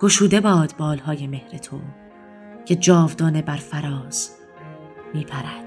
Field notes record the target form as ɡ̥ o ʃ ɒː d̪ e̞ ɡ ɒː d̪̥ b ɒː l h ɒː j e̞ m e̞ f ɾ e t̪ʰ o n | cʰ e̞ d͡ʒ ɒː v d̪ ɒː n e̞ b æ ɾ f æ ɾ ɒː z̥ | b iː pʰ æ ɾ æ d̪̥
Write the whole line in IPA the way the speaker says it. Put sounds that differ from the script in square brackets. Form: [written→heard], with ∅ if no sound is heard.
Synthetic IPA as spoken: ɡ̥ o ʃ [ɒː→uː] d̪ e̞ [ɡ→b] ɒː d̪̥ b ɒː l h ɒː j e̞ m e̞ [f→h] ɾ e t̪ʰ o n | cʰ e̞ d͡ʒ ɒː v d̪ ɒː n e̞ b æ ɾ f æ ɾ ɒː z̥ | [b→m] iː pʰ æ ɾ æ d̪̥